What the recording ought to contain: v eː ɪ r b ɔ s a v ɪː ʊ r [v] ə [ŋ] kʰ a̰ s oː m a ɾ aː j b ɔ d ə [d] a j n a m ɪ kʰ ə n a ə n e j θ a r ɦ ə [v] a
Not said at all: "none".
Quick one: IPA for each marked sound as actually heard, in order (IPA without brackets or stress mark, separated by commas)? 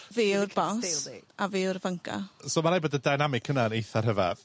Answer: v, ŋ, d, v